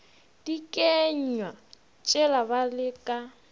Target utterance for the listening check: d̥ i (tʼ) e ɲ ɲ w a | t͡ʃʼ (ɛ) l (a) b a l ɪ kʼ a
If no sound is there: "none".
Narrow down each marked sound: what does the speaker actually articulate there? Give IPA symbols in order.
kʼ, ɛ, a

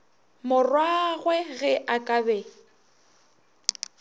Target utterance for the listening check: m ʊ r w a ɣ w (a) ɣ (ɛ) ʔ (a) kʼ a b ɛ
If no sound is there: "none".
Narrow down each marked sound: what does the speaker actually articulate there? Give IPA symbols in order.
ɛ, ɛ, a

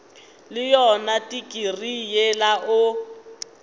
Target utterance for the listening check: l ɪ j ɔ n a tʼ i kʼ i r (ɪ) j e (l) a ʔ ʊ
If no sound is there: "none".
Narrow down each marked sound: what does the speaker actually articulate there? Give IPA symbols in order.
i, l

